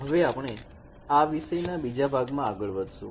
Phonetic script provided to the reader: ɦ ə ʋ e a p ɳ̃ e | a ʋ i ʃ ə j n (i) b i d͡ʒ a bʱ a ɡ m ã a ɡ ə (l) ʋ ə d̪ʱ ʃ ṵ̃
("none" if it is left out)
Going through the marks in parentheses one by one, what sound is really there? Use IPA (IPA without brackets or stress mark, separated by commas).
a, ɭ